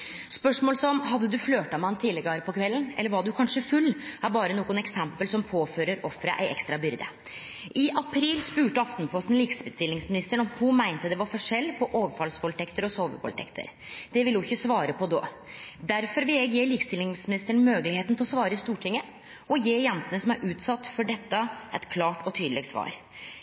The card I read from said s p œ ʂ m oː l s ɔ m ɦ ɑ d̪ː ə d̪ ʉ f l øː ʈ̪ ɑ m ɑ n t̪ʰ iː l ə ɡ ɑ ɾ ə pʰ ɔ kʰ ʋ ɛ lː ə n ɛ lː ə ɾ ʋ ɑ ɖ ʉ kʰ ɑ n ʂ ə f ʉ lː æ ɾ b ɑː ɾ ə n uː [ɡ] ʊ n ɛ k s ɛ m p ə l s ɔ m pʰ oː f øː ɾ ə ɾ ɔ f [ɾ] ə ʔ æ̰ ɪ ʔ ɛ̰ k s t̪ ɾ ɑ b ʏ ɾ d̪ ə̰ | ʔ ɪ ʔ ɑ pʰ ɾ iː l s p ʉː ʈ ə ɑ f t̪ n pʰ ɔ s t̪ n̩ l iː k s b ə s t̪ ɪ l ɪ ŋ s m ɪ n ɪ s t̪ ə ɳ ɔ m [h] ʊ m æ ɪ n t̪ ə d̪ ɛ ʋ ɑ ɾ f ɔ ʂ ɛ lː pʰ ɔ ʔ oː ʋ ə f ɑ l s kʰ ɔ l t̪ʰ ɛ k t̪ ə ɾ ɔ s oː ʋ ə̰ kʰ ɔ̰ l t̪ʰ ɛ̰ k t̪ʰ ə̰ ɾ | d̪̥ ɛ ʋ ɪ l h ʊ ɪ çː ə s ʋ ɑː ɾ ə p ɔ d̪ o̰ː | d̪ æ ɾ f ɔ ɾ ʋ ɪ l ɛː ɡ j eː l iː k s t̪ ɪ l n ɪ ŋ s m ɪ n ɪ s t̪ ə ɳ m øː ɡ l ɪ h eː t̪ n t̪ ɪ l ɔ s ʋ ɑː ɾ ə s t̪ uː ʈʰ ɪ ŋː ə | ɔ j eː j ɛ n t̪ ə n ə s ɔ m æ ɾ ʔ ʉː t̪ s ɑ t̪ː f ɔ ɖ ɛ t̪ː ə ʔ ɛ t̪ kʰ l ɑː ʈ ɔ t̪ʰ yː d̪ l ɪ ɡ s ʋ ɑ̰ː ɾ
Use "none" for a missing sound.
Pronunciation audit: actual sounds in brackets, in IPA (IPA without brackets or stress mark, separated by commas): ɡ, ɾ, h